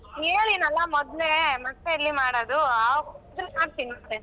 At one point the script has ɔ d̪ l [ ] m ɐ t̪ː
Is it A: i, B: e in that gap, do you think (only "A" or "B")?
B